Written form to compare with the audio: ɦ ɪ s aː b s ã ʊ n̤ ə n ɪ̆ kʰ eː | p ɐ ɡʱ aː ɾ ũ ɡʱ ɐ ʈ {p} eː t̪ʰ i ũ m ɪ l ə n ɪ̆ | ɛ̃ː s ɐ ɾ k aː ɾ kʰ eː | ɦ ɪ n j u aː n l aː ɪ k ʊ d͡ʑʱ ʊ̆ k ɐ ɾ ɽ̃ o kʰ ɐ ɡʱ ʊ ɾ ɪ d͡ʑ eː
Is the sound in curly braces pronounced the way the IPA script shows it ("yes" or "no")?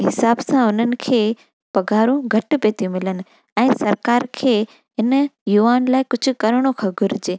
yes